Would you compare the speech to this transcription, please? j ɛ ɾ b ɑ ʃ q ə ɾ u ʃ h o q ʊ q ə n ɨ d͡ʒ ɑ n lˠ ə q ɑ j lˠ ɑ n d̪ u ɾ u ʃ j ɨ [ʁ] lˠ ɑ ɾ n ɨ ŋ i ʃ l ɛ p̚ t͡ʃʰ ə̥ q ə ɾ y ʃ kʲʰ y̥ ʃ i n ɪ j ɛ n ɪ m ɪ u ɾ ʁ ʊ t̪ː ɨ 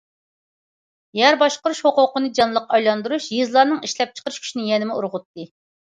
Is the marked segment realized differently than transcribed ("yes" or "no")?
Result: yes